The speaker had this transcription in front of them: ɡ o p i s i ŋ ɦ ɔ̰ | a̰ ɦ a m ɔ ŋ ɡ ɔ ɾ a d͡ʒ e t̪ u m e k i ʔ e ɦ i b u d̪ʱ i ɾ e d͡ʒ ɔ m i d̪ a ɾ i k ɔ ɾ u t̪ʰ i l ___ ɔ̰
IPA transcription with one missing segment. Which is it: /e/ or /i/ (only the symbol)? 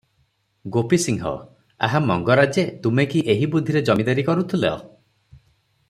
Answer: e